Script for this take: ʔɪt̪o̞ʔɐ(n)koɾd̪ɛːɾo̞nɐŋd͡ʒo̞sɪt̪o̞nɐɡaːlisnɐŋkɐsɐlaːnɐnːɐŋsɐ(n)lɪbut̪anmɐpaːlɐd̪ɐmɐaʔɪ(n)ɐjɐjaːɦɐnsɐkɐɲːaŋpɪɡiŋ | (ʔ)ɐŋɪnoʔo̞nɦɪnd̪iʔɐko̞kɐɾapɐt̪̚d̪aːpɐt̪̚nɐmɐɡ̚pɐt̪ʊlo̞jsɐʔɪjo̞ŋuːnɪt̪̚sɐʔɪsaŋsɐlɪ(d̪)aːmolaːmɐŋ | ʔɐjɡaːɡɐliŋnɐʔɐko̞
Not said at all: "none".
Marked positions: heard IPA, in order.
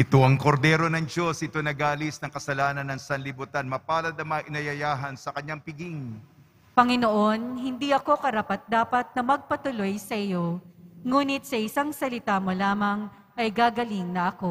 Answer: ŋ, n, n, p, t̪

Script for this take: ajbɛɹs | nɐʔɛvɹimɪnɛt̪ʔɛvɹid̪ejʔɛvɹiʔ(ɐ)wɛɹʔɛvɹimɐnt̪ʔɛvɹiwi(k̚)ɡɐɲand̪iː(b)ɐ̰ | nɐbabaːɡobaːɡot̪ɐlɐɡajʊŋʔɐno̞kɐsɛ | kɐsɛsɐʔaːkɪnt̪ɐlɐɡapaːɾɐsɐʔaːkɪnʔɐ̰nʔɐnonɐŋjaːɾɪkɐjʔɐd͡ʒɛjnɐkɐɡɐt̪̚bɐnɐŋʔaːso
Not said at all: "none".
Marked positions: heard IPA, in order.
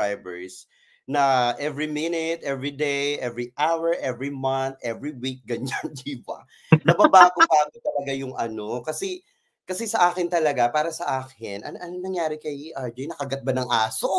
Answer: a, k̚, b

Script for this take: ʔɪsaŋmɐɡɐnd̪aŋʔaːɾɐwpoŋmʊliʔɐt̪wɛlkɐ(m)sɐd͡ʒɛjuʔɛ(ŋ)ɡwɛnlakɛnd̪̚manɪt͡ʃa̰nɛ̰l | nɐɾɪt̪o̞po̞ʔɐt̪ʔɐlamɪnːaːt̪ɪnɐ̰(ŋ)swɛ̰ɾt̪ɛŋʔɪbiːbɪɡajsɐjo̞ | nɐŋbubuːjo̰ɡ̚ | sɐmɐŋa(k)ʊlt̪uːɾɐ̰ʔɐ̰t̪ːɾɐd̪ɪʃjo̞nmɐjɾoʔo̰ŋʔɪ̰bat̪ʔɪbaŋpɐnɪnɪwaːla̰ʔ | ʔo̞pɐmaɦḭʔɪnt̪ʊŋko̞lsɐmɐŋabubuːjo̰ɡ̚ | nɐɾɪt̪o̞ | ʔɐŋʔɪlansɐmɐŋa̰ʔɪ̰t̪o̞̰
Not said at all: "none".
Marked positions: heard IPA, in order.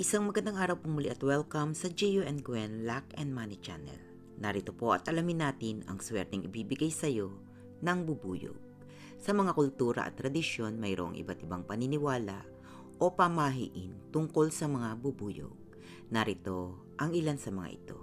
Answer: m, n, ŋ, k

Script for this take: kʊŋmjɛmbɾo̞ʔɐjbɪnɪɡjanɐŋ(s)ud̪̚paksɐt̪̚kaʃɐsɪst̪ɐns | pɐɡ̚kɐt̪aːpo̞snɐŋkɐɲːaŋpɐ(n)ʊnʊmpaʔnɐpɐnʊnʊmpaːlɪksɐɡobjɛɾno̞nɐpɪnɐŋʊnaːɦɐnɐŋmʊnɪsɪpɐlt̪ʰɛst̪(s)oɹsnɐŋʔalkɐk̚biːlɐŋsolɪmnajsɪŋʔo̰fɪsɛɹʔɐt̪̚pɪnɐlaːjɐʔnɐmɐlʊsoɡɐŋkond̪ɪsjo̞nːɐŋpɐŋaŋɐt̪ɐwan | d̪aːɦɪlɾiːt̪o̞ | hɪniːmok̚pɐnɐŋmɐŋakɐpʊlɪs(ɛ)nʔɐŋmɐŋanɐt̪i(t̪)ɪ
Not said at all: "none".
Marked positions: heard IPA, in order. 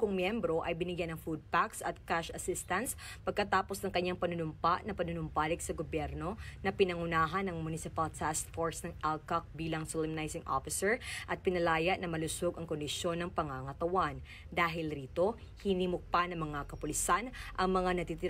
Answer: f, n, f, a, t̪

